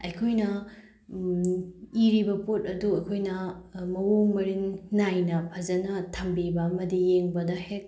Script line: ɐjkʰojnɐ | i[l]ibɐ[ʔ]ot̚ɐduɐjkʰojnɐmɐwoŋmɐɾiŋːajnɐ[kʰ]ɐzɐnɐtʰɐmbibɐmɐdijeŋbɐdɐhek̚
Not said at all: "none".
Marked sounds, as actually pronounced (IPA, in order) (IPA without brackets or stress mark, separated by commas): ɾ, p, pʰ